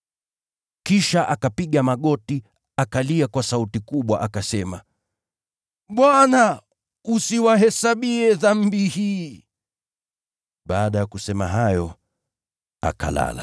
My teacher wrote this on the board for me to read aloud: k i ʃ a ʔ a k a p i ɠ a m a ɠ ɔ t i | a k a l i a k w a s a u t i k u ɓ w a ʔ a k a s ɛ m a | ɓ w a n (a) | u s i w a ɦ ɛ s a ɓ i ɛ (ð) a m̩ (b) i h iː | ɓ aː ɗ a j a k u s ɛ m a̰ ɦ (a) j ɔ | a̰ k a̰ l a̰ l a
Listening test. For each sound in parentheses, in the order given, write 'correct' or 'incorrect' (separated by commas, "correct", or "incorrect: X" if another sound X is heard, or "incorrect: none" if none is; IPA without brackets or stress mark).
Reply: correct, correct, correct, correct